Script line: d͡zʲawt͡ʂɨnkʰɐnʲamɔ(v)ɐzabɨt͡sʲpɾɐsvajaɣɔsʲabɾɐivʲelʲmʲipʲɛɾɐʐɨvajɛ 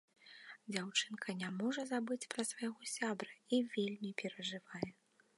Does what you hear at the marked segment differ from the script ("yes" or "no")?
yes